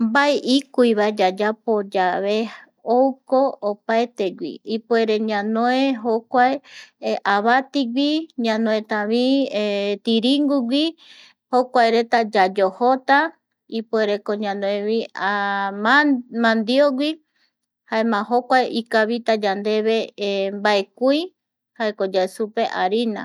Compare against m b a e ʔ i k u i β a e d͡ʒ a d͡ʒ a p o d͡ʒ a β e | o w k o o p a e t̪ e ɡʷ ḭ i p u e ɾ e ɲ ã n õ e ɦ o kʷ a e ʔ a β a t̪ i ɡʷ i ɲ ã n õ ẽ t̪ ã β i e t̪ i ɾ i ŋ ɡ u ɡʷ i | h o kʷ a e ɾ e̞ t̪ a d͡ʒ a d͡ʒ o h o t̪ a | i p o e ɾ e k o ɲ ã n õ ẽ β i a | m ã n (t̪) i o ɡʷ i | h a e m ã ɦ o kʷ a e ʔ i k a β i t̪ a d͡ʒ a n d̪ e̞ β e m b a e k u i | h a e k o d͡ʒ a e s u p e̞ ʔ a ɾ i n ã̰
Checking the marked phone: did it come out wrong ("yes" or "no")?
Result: yes